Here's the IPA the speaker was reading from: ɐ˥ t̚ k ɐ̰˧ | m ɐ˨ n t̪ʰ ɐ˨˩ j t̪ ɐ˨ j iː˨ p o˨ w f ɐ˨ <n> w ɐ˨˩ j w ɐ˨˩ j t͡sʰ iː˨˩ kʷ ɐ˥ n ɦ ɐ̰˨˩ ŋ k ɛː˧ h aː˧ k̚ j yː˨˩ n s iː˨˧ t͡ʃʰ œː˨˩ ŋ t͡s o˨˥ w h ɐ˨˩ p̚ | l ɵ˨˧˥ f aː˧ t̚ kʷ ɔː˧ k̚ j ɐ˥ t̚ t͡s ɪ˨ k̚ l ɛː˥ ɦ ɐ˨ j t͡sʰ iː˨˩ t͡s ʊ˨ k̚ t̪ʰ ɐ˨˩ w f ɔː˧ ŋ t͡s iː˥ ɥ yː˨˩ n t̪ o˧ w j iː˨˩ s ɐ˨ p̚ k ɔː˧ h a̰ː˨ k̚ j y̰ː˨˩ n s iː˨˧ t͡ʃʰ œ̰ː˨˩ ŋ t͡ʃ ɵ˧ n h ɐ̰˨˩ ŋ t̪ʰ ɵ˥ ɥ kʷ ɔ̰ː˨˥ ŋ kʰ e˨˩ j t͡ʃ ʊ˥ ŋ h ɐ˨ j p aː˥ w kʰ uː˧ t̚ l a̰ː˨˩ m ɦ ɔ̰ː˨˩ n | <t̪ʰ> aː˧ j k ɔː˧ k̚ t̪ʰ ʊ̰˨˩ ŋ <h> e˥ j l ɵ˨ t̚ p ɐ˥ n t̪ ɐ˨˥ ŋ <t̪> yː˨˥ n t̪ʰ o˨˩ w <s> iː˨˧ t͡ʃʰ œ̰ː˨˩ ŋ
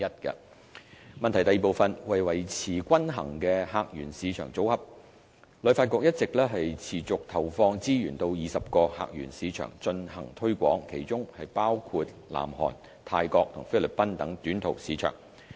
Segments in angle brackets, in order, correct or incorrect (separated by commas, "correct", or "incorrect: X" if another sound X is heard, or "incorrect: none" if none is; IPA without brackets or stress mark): correct, correct, incorrect: f, correct, correct